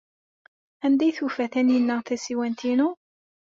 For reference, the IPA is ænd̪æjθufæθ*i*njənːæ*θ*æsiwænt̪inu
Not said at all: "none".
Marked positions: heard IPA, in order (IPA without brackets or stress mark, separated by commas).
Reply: æ, θ